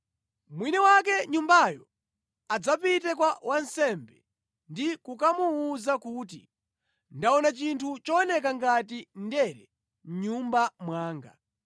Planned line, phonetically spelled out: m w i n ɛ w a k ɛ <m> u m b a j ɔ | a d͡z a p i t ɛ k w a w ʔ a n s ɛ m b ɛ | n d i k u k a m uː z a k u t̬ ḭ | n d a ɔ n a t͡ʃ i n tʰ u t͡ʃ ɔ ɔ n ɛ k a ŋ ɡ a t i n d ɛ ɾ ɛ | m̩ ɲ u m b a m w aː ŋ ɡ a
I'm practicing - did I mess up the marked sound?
yes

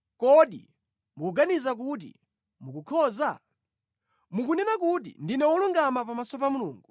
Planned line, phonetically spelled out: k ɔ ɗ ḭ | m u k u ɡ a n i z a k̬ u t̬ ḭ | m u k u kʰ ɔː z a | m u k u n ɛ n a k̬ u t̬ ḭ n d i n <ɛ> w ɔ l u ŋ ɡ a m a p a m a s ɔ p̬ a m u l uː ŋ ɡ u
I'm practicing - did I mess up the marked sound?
no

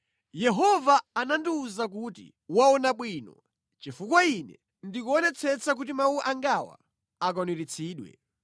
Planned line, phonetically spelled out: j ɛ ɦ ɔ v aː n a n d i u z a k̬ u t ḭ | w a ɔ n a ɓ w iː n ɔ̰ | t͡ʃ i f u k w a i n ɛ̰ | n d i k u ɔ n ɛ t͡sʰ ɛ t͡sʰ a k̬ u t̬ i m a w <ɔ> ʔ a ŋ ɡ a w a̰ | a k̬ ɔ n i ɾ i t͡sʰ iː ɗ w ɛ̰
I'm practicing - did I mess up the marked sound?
yes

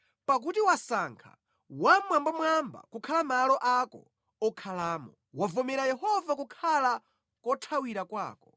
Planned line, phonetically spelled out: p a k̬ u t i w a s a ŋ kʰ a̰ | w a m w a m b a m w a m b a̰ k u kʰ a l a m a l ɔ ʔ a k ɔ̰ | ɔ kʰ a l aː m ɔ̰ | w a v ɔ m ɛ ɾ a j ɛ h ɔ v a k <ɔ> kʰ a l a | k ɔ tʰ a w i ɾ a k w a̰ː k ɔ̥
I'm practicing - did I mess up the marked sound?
yes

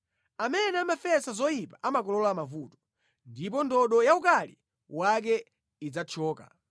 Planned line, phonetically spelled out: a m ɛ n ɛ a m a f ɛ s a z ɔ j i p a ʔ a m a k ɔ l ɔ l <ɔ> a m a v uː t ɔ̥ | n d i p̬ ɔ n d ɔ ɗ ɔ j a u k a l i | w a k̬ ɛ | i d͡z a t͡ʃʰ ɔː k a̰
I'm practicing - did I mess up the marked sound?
no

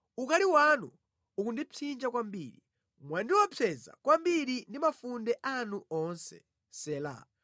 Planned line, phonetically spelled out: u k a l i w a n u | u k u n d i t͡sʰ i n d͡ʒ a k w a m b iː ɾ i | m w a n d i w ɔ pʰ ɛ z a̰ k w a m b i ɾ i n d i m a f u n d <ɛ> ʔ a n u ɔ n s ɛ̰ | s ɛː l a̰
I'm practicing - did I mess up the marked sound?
no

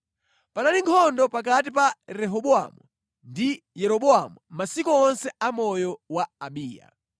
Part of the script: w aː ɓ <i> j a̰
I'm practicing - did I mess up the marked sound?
yes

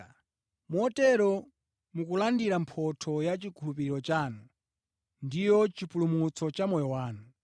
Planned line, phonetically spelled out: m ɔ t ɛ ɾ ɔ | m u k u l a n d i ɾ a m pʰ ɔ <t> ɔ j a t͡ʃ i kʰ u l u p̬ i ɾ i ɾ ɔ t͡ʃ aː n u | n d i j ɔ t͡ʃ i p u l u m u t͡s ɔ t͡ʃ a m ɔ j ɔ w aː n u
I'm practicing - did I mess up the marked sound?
yes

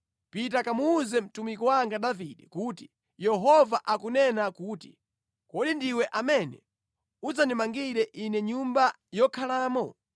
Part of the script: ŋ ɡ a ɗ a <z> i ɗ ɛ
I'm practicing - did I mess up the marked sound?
yes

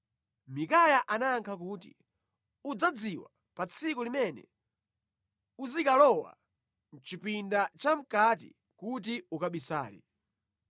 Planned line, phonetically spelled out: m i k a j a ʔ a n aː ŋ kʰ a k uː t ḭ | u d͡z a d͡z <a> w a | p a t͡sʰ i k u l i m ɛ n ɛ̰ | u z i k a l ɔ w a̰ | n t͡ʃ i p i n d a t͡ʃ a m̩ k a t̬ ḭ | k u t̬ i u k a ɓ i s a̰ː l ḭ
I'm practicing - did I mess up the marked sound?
yes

